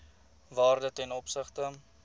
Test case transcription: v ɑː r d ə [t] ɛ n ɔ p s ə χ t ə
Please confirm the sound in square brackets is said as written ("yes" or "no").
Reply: yes